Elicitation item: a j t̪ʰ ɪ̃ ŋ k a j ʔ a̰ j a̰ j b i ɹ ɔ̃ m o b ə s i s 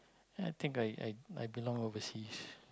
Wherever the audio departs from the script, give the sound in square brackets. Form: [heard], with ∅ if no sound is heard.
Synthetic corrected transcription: a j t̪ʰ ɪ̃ ŋ k a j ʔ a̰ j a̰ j b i [l] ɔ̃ [ŋ] o [v] ə s i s